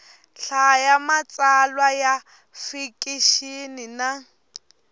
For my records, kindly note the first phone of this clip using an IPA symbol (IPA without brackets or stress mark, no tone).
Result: ɬ